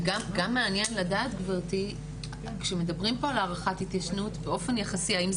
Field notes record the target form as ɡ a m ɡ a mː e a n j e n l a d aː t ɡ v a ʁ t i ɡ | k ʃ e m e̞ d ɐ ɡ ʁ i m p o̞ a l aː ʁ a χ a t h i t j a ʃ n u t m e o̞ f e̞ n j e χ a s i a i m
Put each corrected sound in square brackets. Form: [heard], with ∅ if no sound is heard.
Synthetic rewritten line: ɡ a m ɡ a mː e a n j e n l a d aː t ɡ v a ʁ t i [∅] | k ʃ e m e̞ d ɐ [b] ʁ i m p o̞ a l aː ʁ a χ a t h i t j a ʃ n u t [b] e o̞ f e̞ n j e χ a s i a i m